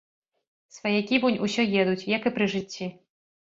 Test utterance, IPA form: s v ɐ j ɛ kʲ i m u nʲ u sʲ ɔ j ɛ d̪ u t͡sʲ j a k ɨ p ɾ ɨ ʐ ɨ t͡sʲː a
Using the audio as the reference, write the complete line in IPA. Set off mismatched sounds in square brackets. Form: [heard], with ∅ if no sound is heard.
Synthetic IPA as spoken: s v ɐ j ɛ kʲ i [b] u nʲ u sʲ ɔ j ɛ d̪ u t͡sʲ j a k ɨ p ɾ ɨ ʐ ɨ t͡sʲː [i]